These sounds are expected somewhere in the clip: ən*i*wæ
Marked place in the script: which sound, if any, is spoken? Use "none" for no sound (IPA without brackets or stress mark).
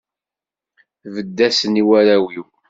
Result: i